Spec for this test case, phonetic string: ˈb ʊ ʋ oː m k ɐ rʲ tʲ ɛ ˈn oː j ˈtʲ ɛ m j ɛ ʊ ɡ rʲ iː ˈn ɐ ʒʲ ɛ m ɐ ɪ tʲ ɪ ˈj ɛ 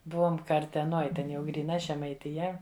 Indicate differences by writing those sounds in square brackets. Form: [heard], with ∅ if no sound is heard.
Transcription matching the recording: ˈb ʊ ʋ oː m k ɐ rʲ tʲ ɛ ˈn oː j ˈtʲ ɛ [n] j ɛ ʊ ɡ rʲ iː ˈn ɐ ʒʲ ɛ m ɐ ɪ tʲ ɪ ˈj ɛ